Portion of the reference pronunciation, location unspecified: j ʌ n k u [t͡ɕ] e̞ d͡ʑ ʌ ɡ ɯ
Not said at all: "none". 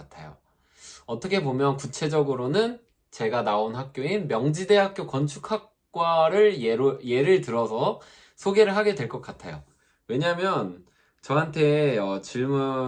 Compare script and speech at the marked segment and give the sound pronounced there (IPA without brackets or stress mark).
t͡ɕʰ